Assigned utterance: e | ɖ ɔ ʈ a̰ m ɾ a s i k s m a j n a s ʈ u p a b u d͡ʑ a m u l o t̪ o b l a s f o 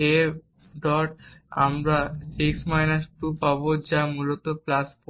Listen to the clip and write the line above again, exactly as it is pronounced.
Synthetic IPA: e | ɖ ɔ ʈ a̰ m ɾ a s i k s m a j n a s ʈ u p a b o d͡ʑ a m u l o t̪ o p l a s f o